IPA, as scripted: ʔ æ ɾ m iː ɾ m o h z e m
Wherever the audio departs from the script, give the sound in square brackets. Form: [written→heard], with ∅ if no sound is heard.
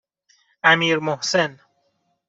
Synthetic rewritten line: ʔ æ [ɾ→∅] m iː ɾ m o h [z→s] e [m→n]